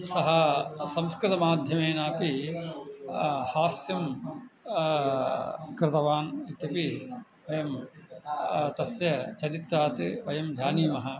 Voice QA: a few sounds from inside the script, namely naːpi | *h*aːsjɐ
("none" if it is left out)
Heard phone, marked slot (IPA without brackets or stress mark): h